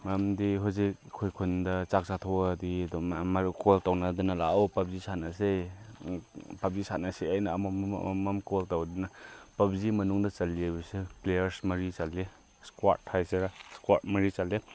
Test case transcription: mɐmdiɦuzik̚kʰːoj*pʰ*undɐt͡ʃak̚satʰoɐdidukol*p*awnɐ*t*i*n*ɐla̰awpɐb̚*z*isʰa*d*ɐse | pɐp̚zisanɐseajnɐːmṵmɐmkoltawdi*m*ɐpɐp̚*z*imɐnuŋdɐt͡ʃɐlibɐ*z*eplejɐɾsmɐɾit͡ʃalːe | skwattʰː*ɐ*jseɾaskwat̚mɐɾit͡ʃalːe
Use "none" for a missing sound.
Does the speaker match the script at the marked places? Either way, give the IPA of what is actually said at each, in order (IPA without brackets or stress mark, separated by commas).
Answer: kʰ, t, d, n, z, n, n, z, s, a